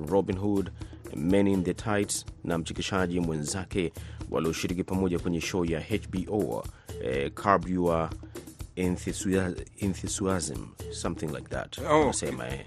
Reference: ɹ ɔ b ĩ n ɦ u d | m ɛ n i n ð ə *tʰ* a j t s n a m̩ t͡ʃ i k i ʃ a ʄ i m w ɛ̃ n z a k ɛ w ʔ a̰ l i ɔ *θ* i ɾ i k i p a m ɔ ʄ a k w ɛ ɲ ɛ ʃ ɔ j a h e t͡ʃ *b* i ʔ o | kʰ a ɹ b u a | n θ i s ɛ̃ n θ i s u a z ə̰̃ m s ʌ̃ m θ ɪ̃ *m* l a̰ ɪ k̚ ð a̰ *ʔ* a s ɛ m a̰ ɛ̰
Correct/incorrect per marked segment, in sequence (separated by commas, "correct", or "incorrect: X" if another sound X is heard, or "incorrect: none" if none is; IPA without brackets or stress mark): correct, incorrect: ʃ, correct, incorrect: ŋ, incorrect: t